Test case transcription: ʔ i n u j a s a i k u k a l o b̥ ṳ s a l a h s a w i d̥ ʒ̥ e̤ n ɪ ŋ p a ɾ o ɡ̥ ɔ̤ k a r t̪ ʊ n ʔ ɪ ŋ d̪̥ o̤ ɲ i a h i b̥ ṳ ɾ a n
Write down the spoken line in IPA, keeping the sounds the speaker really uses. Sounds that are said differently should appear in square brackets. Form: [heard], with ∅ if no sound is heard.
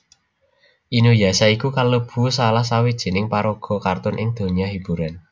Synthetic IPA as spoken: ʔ i n u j a s a i k u k a l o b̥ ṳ s a l a h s a w i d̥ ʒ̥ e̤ n ɪ ŋ p a ɾ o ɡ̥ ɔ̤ k a r t̪ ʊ n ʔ ɪ ŋ d̪̥ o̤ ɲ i a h i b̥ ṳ ɾ a n